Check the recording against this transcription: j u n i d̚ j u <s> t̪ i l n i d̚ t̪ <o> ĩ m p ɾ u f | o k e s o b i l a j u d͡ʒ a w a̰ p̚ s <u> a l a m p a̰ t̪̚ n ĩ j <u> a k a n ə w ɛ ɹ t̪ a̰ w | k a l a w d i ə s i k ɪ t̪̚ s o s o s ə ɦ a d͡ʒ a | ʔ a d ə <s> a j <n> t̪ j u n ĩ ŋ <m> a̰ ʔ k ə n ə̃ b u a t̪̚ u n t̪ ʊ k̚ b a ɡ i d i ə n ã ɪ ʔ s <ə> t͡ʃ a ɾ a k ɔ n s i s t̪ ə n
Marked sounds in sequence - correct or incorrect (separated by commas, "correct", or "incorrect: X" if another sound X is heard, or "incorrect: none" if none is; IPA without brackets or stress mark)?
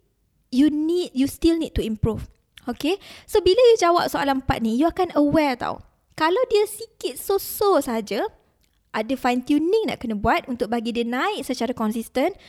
correct, incorrect: u, incorrect: o, correct, incorrect: f, correct, incorrect: n, correct